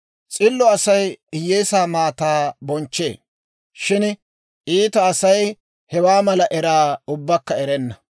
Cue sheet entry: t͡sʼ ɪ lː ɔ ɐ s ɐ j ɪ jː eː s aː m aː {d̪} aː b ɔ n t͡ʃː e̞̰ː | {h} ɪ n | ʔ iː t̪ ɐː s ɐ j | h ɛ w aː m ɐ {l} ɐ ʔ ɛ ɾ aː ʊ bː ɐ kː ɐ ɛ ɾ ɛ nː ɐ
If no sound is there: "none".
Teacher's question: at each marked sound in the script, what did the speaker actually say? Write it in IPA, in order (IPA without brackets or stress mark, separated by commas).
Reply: t̪, ʃ, l